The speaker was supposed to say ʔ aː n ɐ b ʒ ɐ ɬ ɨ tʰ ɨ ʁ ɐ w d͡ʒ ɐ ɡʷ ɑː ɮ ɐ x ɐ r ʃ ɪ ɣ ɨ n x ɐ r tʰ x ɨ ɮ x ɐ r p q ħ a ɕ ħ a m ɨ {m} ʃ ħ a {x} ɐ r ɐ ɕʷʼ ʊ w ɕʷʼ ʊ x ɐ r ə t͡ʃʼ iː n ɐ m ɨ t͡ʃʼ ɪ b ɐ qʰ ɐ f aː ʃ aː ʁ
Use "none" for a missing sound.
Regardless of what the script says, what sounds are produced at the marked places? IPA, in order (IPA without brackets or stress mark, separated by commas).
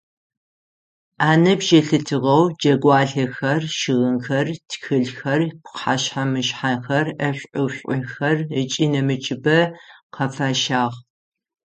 none, x